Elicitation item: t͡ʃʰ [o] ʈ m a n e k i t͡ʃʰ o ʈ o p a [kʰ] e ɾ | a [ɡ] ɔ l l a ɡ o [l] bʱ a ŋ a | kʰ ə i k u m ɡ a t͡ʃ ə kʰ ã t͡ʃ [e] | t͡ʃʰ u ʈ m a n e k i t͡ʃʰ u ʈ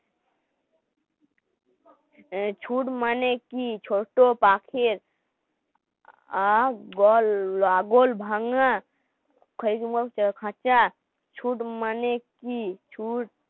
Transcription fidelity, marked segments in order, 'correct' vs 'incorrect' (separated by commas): incorrect, correct, correct, correct, incorrect